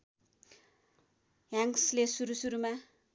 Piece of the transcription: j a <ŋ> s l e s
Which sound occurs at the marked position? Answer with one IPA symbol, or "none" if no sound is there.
ŋ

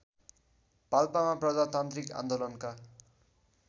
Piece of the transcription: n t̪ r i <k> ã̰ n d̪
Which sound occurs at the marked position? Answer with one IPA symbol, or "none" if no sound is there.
k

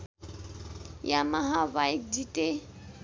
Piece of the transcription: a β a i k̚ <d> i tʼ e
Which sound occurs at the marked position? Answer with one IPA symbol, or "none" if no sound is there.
d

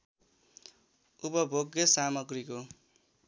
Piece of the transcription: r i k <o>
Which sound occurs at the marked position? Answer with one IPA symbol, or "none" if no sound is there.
o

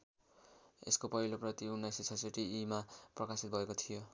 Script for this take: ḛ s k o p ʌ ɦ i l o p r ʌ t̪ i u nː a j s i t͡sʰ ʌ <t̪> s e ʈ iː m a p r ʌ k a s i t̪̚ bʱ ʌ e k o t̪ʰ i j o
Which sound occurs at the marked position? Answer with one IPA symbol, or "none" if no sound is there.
none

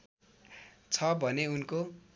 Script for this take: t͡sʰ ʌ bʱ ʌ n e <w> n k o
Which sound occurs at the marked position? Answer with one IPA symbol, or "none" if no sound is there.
u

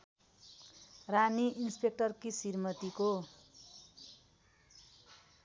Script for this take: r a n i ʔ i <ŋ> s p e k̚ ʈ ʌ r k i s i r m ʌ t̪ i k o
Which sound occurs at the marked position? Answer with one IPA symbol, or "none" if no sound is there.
n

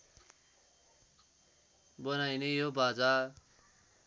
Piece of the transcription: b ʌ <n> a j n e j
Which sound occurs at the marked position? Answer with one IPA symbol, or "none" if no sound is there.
n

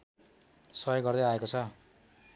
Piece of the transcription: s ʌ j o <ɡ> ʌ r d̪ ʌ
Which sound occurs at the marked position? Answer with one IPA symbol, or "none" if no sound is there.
ɡ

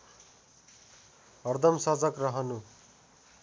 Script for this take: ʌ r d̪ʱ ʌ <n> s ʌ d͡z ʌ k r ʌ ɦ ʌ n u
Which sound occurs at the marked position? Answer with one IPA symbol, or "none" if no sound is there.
m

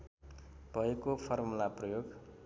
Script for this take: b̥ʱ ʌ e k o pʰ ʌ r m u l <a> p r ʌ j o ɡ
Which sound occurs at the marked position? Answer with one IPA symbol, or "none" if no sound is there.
a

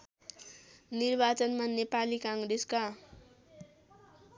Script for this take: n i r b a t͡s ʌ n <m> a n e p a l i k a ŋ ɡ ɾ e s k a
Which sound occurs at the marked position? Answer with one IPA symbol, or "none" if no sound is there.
m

